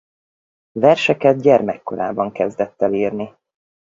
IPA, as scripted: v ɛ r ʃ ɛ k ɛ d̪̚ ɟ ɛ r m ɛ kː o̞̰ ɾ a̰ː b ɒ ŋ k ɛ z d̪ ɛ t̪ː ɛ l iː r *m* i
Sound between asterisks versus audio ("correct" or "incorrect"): incorrect